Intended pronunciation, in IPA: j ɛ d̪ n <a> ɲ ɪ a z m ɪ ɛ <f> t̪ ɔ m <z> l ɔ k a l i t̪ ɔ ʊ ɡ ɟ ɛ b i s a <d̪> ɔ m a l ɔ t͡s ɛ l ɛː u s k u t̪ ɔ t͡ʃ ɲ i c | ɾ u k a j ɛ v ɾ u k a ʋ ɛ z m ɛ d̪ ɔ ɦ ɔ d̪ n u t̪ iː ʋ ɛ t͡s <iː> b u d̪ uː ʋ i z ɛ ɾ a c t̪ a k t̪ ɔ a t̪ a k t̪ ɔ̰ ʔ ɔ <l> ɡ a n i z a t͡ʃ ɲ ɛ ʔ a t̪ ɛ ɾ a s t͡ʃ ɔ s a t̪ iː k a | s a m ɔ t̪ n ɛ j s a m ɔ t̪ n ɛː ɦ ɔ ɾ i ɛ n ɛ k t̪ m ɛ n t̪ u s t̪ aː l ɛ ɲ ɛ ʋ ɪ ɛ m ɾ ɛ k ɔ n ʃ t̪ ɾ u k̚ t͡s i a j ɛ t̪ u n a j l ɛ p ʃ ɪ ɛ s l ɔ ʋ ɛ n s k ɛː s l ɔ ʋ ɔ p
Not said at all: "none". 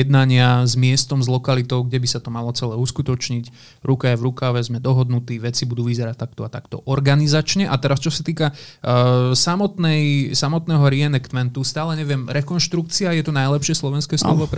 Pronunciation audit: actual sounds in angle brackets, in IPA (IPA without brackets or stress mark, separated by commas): a, s, z, t̪, i, ɾ